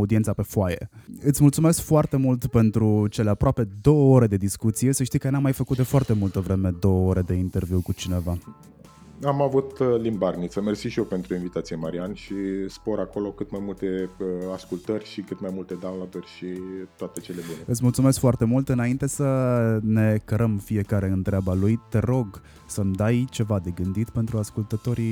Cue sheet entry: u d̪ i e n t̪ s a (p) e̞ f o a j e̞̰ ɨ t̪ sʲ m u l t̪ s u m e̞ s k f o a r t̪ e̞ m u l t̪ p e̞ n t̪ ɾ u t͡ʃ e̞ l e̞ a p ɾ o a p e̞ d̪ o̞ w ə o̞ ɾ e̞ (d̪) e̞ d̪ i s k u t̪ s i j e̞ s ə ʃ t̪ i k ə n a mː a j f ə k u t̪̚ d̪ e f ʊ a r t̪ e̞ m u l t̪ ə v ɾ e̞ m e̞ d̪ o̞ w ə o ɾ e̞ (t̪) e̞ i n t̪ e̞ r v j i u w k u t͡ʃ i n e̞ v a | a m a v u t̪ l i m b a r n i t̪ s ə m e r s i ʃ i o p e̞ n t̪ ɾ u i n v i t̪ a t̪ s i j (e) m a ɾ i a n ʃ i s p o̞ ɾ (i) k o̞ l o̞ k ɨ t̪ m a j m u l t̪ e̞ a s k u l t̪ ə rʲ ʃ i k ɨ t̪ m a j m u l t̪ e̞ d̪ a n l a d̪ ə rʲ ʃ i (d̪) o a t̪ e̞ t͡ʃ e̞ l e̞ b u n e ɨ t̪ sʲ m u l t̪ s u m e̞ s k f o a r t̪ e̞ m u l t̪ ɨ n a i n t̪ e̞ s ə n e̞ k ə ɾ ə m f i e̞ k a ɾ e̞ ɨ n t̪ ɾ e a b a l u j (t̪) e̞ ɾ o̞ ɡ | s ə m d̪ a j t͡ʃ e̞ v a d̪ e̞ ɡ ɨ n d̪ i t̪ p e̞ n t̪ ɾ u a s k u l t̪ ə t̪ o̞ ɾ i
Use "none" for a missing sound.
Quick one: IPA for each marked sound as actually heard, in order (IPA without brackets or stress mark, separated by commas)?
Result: p, d̪, d̪, e, a, t̪, t̪